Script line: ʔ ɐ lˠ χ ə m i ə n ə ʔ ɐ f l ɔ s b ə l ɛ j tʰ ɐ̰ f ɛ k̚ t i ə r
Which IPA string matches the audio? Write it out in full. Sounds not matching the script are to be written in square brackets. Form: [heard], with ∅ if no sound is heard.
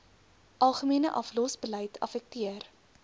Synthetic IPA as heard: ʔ ɐ lˠ χ ə m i ə n ə ʔ ɐ f l ɔ s b ə l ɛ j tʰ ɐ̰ f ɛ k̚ t i ə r